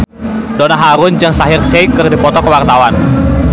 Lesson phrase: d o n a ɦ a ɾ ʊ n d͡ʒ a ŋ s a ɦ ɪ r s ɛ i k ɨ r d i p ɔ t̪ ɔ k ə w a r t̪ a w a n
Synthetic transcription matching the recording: d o n a ɦ a ɾ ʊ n d͡ʒ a ŋ s a ɦ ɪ r s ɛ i k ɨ r d i p ɔ t̪ ɔ k ə w a r t̪ a w a n